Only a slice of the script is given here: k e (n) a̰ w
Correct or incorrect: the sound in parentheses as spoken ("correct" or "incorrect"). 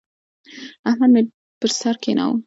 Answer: correct